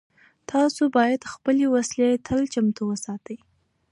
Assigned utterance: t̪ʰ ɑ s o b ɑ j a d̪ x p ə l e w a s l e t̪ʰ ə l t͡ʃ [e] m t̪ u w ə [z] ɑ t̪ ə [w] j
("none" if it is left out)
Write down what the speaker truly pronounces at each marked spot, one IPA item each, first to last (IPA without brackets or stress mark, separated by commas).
a, s, none